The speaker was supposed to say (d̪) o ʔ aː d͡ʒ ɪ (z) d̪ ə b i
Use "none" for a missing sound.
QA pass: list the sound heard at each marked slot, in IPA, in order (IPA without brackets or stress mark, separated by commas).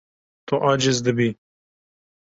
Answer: t̪, z